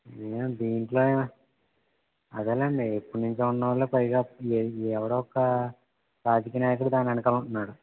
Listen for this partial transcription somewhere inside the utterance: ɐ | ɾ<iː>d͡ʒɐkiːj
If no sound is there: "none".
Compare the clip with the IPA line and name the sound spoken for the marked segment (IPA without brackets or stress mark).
aː